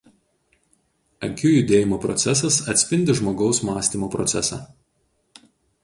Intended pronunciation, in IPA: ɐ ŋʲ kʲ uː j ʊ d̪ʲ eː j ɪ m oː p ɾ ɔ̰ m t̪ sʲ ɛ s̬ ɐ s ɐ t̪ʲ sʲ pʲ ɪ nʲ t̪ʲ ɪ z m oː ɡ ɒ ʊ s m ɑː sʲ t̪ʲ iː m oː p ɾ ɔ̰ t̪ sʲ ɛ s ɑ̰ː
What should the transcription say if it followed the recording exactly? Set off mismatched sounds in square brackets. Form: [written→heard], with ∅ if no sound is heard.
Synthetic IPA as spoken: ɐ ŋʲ kʲ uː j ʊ d̪ʲ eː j ɪ m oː p ɾ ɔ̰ [m→∅] t̪ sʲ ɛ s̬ ɐ s ɐ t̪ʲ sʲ pʲ ɪ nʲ [t̪ʲ→d̪ʲ] ɪ [z→ʒ] m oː ɡ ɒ ʊ s m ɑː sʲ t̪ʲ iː m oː p ɾ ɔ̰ t̪ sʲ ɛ s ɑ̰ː